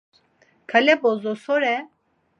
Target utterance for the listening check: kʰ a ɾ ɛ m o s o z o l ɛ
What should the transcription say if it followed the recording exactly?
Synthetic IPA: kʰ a l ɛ b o z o s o ɾ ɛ

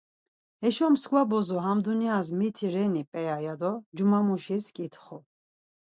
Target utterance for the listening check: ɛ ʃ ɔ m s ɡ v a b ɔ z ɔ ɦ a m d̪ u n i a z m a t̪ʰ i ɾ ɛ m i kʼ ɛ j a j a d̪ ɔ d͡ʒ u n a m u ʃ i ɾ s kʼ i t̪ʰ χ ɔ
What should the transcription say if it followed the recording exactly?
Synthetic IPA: ɛ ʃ ɔ m s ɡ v a b ɔ z ɔ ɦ a m d̪ u n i a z m i t̪ʰ i ɾ ɛ n i pʼ ɛ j a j a d̪ ɔ d͡ʒ u m a m u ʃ i s kʼ i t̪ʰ χ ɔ

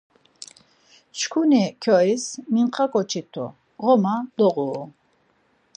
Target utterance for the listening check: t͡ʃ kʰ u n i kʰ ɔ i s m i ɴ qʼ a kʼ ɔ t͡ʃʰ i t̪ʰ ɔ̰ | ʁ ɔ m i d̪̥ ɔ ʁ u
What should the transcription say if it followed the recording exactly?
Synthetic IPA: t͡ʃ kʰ u n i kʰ ɔ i s m i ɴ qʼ a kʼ ɔ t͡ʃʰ i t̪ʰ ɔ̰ | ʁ ɔ m a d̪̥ ɔ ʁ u

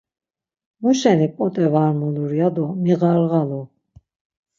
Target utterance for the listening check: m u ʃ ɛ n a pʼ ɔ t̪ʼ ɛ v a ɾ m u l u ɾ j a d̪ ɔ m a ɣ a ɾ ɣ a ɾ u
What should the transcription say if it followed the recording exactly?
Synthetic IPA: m u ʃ ɛ n i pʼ ɔ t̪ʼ ɛ v a ɾ m u l u ɾ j a d̪ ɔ m i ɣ a ɾ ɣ a l u

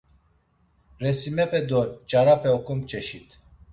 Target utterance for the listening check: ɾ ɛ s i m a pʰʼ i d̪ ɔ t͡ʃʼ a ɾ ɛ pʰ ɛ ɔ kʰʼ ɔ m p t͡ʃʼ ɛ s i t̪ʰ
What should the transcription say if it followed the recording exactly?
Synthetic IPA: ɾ ɛ s i m ɛ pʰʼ ɛ d̪ ɔ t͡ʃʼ a ɾ a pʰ ɛ ɔ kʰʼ ɔ m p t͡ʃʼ ɛ ʃ i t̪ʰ

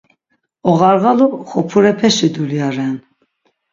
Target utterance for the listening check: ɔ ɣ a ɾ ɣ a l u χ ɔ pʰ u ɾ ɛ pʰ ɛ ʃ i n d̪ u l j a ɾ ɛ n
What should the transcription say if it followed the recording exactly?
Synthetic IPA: ɔ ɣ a ɾ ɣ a l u χ ɔ pʰ u ɾ ɛ pʰ ɛ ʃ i d̪ u l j a ɾ ɛ n

